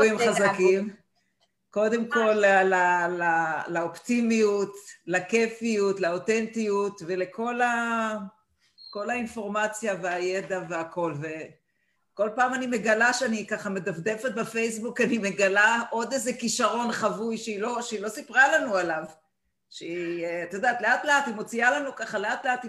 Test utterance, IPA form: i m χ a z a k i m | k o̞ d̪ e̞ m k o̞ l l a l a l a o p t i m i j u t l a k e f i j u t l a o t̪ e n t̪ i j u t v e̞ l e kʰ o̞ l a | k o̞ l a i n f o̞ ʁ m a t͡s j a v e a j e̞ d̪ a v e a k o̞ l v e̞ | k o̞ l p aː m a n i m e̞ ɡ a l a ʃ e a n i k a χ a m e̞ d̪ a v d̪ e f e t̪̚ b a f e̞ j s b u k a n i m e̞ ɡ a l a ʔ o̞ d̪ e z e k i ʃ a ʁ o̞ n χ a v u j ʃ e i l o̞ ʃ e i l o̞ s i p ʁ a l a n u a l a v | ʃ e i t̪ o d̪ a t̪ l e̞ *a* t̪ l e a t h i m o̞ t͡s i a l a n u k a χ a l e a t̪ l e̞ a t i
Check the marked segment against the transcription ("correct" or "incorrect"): correct